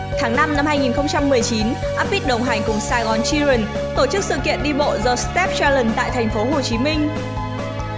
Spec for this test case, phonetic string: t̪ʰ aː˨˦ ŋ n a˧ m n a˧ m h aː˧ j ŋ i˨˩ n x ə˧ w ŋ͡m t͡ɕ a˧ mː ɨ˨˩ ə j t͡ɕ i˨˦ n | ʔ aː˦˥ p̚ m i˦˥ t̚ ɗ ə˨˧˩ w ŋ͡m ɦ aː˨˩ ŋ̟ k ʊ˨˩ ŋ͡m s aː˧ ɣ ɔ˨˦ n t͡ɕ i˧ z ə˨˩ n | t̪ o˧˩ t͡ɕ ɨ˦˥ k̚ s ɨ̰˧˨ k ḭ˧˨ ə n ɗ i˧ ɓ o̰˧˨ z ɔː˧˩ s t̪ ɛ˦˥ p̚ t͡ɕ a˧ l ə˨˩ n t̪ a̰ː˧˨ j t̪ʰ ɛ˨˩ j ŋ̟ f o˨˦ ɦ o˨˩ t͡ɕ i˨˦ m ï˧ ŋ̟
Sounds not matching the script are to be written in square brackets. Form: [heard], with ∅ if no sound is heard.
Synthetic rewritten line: t̪ʰ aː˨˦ ŋ n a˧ m n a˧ m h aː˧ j ŋ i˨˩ n x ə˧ w ŋ͡m t͡ɕ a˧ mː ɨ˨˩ ə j t͡ɕ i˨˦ n | ʔ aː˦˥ p̚ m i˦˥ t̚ ɗ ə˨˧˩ w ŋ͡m ɦ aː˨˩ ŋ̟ k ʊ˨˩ ŋ͡m s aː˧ ɣ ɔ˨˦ n t͡ɕ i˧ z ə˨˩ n | t̪ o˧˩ t͡ɕ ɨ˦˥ k̚ s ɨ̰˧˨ k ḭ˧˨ ə n ɗ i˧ ɓ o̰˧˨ z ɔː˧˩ s t̪ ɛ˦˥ p̚ t͡ɕ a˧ l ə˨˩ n t̪ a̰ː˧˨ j t̪ʰ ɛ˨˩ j ŋ̟ f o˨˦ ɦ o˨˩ t͡ɕ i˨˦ m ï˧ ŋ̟